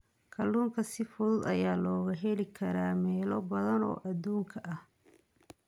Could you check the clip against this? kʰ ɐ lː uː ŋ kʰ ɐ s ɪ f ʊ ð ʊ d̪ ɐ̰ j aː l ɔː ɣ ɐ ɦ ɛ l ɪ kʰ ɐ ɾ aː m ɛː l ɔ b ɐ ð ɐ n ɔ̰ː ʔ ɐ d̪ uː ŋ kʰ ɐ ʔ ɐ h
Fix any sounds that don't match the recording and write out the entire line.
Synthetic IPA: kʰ ɐ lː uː ŋ kʰ ɐ s ɪ f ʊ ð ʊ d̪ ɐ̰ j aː l ɔː ɣ ɐ ɦ ɛ l ɪ kʰ ɐ ɾ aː m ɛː l ɔ b ɐ ð ɐ n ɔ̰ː ʔ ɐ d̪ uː ŋ kʰ ɐ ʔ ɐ h